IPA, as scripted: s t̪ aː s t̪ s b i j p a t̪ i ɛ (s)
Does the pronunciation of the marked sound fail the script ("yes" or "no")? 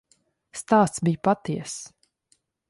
no